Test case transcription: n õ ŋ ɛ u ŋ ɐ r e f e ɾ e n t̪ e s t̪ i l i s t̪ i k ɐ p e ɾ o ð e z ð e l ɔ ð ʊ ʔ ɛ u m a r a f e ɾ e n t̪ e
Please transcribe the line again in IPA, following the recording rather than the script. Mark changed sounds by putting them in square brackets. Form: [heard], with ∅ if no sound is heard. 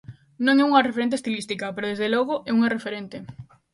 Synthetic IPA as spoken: n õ ŋ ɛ u ŋ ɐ r e f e ɾ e n t̪ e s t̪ i l i s t̪ i k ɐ p e ɾ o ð e z ð e l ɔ [ɣ] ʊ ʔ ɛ u [ŋ] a r [e] f e ɾ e n t̪ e